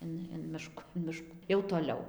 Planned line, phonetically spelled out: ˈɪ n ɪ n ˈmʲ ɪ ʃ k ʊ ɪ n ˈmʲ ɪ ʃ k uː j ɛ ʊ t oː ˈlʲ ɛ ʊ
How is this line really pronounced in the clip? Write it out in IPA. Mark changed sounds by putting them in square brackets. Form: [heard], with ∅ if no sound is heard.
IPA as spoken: ˈɪ n ɪ n ˈmʲ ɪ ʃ k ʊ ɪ n ˈmʲ ɪ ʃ k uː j ɛ ʊ t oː ˈlʲ ɛ ʊ